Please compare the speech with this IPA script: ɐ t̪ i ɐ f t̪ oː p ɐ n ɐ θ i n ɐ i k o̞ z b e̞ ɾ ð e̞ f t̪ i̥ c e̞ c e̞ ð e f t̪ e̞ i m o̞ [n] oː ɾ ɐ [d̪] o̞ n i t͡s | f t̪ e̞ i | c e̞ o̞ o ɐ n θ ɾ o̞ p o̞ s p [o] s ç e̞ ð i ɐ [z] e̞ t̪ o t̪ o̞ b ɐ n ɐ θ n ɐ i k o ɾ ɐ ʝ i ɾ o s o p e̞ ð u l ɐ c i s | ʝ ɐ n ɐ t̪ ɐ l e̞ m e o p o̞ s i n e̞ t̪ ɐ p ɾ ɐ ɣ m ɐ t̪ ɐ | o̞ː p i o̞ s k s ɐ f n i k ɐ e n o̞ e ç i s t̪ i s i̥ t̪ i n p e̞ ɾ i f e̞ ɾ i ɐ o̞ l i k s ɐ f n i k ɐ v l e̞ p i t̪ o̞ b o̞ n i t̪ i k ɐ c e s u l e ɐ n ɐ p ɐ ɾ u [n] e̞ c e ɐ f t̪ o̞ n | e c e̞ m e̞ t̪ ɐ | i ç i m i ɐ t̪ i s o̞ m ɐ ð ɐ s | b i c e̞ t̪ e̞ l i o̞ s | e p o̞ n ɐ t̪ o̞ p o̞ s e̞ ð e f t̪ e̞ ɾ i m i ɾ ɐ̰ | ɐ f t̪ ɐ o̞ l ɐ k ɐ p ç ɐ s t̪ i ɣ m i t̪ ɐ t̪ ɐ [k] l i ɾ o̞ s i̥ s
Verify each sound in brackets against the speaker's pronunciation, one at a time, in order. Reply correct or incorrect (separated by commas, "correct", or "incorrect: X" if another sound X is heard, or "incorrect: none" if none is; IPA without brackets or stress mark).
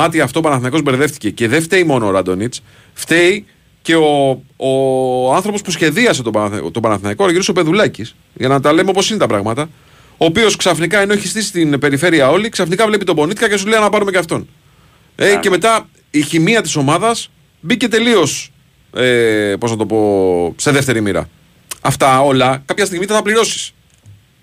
correct, correct, incorrect: u, incorrect: s, incorrect: m, incorrect: p